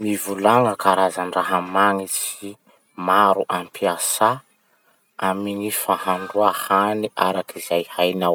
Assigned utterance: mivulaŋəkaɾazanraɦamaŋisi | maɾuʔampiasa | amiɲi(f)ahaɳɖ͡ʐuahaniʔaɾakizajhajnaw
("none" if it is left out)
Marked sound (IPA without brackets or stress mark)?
f